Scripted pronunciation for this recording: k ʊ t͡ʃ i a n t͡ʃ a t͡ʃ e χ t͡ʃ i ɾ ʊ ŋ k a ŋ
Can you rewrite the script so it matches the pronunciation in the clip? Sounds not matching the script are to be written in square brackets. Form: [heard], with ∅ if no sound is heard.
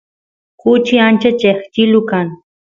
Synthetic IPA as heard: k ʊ t͡ʃ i a n t͡ʃ a t͡ʃ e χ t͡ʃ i [l] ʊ [∅] k a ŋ